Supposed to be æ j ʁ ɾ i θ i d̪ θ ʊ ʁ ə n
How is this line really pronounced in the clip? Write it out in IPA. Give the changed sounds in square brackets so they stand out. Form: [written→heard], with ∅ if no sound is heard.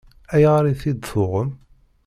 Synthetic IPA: æ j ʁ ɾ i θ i d̪ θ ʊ ʁ ə [n→m]